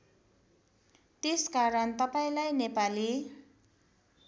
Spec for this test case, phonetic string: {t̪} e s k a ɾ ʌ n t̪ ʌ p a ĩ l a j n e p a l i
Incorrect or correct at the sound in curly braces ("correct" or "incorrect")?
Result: correct